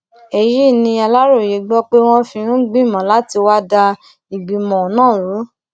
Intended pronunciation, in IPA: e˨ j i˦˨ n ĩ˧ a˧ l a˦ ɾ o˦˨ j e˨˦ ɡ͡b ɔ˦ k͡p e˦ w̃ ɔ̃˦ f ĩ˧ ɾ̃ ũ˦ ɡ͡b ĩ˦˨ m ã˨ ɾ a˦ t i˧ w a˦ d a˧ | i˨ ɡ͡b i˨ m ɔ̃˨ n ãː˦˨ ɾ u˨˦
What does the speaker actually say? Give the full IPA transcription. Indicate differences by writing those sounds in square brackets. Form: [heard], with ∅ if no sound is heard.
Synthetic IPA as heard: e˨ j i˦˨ n ĩ˧ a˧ l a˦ ɾ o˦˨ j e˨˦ ɡ͡b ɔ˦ k͡p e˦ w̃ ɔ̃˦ f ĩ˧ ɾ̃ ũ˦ ɡ͡b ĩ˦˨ m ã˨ [l] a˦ t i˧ w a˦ d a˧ | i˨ ɡ͡b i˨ m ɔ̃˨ n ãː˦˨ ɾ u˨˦